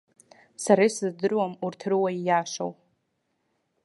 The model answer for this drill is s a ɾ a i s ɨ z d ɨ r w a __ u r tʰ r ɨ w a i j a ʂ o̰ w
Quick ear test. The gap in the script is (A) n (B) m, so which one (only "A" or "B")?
B